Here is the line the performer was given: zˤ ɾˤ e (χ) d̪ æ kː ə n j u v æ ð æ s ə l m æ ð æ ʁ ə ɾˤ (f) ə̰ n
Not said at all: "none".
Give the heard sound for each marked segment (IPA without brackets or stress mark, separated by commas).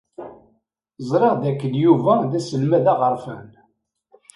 ʁ, f